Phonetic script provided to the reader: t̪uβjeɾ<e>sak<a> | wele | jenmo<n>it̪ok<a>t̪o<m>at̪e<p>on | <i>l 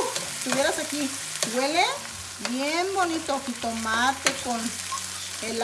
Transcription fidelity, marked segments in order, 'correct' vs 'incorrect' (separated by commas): incorrect, incorrect, correct, incorrect, correct, incorrect, incorrect